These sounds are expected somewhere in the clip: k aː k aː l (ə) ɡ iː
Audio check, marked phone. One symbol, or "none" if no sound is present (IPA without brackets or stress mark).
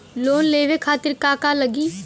ə